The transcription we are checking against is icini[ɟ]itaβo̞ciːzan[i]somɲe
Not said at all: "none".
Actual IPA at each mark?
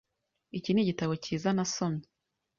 ɟ, a

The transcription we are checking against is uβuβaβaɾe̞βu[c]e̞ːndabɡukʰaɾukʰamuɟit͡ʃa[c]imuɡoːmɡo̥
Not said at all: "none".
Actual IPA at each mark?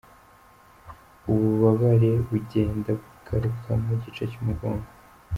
ɟ, c

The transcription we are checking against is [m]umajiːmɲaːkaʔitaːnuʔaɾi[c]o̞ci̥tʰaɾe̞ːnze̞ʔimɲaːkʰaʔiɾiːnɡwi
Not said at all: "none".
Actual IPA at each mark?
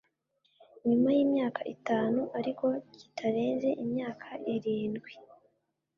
ɲ, k

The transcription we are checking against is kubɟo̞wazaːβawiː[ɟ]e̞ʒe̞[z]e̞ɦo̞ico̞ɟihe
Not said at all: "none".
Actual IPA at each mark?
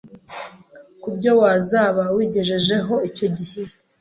ɟ, ʒ

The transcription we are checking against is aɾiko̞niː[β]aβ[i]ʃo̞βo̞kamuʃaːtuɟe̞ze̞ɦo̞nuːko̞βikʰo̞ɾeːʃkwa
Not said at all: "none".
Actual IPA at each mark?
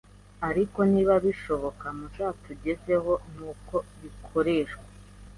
β, i

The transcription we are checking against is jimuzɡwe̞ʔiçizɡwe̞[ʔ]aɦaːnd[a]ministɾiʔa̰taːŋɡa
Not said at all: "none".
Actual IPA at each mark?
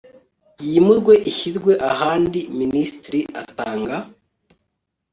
ʔ, i

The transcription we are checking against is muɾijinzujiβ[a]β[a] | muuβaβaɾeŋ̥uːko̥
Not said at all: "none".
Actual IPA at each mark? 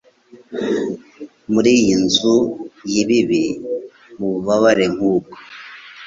i, i

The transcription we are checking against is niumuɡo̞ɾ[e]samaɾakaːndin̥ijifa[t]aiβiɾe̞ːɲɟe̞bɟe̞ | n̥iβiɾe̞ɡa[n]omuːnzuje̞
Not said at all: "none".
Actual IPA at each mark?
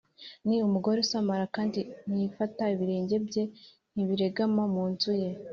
e, t, m

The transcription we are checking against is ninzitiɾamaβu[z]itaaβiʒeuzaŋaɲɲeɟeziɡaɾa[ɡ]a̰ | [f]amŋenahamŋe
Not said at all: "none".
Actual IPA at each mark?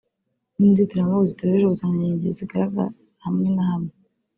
z, ɡ, h

